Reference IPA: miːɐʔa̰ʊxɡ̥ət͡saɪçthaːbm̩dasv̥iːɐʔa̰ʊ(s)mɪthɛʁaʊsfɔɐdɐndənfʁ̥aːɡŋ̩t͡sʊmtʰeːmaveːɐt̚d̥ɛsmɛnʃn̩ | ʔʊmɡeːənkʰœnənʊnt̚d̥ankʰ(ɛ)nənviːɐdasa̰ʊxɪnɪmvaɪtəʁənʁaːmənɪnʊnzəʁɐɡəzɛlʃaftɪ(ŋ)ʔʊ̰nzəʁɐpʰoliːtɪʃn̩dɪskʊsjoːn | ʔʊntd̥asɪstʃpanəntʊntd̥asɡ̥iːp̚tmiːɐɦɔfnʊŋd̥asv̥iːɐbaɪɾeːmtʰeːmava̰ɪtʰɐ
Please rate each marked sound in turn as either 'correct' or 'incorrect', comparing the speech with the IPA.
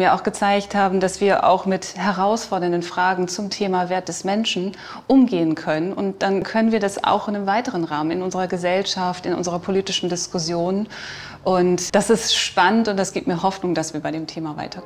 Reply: incorrect: x, incorrect: œ, incorrect: n

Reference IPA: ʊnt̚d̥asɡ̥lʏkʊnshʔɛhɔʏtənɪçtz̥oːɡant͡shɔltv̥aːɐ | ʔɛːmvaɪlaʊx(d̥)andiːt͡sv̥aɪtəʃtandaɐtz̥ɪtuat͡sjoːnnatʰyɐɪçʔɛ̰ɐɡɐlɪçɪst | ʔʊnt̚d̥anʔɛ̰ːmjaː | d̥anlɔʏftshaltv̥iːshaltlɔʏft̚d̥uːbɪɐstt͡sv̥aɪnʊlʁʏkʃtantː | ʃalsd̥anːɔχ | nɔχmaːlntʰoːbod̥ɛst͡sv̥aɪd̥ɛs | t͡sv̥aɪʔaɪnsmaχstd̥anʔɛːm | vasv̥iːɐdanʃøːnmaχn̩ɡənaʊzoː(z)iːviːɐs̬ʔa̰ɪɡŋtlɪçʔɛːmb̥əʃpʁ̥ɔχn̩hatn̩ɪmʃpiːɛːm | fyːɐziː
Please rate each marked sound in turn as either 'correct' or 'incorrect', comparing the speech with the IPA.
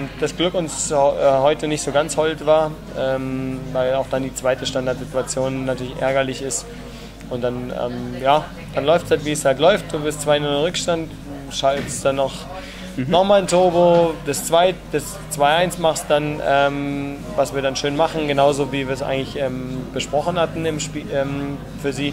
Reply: correct, incorrect: v

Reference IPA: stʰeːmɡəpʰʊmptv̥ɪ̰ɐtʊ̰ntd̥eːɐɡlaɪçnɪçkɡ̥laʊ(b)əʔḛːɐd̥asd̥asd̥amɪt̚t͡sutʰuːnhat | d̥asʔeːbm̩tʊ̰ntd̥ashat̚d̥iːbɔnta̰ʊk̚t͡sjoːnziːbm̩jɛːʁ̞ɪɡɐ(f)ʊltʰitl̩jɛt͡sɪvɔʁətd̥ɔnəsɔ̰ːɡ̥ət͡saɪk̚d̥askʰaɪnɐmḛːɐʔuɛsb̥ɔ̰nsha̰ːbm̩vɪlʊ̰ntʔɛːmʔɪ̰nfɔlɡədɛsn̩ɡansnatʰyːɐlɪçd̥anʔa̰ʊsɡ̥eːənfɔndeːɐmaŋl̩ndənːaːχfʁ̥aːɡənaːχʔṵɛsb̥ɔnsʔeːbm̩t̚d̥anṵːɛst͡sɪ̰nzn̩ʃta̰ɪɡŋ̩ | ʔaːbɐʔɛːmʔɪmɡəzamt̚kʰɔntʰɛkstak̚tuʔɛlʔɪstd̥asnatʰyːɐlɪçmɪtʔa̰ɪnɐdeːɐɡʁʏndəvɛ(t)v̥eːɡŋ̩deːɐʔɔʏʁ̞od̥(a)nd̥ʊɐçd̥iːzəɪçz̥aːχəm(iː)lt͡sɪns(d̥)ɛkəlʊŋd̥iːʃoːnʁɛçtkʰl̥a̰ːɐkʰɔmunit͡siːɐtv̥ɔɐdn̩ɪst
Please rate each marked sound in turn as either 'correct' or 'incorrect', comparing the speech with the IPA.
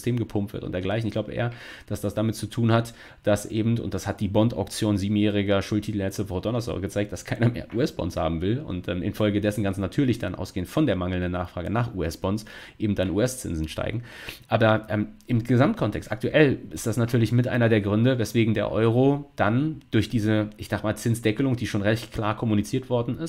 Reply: correct, incorrect: ʃ, incorrect: s, correct, incorrect: aː, correct

